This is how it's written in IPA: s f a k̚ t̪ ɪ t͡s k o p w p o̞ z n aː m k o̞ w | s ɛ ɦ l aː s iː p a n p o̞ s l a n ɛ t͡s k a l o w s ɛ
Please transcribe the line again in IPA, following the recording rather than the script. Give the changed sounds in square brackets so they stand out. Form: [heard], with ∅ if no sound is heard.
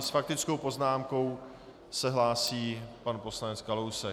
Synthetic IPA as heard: s f a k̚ t̪ ɪ t͡s k o [∅] w p o̞ z n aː m k o̞ w | s ɛ ɦ l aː s iː p a n p o̞ s l a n ɛ t͡s k a l o w s ɛ